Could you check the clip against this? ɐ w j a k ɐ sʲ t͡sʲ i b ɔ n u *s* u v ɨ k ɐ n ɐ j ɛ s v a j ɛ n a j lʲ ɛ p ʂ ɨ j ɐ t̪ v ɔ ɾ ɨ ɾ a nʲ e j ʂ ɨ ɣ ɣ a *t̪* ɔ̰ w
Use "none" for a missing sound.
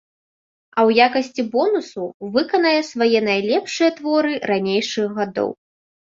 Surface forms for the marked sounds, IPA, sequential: s, d̪

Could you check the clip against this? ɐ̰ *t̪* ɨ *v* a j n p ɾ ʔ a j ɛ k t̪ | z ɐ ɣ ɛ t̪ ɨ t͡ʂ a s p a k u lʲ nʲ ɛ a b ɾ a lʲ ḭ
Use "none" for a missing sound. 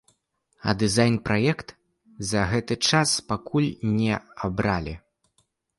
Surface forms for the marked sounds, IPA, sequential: d̪, z

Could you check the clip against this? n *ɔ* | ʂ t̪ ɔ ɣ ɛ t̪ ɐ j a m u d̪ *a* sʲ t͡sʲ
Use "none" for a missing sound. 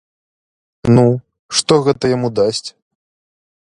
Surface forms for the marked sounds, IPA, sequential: u, a

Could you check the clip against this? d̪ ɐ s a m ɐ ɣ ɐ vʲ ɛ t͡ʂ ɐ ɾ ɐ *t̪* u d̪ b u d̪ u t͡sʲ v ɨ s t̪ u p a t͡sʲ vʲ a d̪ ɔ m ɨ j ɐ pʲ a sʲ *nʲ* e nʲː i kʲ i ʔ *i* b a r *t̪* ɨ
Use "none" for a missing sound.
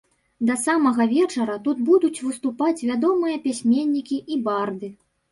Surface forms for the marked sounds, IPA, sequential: t̪, mʲ, i, d̪

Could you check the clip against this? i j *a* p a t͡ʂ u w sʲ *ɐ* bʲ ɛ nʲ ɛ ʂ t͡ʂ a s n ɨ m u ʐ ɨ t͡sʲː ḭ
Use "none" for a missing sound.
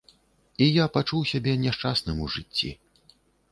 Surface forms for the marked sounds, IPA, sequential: a, a

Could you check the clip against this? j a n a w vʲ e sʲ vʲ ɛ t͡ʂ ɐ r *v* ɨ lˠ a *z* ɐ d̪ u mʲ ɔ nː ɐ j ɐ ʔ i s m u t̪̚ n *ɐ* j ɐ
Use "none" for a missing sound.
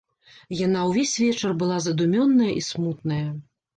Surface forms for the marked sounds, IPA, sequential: b, z, ɐ

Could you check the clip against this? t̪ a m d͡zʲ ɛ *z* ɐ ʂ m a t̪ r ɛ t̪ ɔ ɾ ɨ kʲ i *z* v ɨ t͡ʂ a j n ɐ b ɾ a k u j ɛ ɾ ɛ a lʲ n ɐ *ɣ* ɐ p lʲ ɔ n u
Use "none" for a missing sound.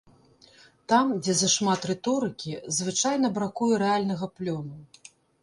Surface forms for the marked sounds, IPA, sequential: z, z, ɣ

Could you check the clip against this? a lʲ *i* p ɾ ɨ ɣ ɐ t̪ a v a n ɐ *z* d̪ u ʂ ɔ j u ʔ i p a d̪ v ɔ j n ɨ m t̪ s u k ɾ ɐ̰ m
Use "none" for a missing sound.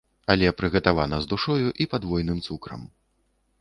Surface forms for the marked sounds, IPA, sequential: ɛ, z

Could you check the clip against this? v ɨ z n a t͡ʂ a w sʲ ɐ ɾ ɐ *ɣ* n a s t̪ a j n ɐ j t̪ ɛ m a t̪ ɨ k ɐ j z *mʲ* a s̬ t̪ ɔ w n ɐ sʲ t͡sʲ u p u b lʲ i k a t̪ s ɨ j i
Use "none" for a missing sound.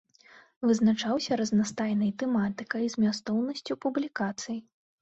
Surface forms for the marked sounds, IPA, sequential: z, mʲ

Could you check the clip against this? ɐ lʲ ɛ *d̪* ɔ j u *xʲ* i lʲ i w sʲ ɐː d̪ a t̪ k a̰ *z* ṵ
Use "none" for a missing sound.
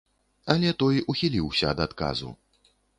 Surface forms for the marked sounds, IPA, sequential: t̪, xʲ, z

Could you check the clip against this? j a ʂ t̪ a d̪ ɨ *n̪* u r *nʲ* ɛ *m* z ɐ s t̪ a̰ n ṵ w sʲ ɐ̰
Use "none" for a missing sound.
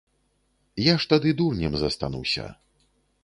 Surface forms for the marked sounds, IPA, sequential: d̪, nʲ, m

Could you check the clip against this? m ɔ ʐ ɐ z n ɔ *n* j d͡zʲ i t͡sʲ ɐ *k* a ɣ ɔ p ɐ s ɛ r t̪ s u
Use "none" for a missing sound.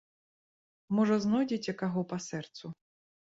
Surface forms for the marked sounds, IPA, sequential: none, k

